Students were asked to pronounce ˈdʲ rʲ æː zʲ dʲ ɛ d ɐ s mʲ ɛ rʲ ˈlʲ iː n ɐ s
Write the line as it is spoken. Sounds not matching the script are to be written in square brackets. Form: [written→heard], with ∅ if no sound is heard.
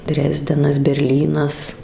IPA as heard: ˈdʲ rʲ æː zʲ dʲ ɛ [d→n] ɐ s [mʲ→bʲ] ɛ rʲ ˈlʲ iː n ɐ s